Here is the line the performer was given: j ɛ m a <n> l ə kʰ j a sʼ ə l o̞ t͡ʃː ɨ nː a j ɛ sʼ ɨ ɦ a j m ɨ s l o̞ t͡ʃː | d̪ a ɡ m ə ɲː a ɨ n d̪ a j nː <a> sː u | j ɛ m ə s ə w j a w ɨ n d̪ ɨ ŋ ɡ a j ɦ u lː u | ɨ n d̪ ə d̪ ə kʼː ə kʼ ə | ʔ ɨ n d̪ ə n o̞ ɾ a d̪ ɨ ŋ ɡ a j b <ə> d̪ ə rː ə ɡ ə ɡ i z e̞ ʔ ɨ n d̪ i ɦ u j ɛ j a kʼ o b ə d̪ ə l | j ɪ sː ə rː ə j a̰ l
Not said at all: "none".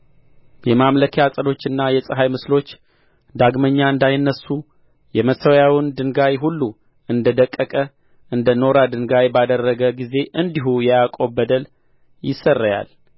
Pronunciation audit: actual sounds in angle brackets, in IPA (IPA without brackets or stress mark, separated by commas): m, ə, a